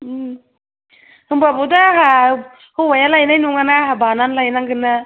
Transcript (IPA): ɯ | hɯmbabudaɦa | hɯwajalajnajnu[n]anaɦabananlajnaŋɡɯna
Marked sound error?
yes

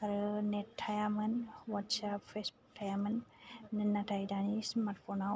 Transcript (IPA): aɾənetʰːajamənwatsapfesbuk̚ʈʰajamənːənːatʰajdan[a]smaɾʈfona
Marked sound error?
yes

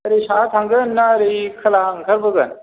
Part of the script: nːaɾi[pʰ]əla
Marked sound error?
yes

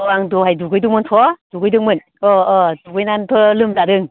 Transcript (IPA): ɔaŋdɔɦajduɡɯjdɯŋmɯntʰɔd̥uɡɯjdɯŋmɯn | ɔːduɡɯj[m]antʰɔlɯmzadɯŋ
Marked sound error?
yes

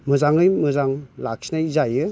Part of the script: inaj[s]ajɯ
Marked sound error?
yes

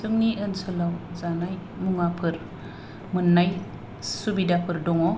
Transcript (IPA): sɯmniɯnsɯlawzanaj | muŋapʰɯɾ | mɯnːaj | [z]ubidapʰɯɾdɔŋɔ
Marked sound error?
yes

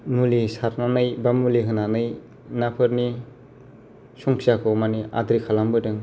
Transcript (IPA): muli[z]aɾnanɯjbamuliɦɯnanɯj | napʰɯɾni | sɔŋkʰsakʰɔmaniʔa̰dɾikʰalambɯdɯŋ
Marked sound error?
yes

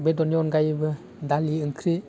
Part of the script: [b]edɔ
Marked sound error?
no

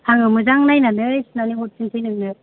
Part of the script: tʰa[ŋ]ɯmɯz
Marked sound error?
no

